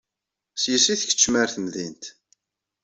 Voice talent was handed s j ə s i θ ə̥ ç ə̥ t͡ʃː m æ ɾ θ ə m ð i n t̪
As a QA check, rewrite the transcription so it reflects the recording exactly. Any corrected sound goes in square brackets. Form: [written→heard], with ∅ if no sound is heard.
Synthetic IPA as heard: s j ə s i θ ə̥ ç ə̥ t͡ʃː m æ ɾ θ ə m ð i n t̪